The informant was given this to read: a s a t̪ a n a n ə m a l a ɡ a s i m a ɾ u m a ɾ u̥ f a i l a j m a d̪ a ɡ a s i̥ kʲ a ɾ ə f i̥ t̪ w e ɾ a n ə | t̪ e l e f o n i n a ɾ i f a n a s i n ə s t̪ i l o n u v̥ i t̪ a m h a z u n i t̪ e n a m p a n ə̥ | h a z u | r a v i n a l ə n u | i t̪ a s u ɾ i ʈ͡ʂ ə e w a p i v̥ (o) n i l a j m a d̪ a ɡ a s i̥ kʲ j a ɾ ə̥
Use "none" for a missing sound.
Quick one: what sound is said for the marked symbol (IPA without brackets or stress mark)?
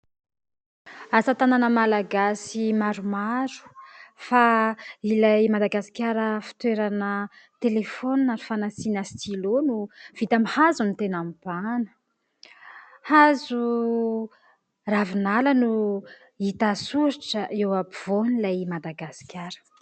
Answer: o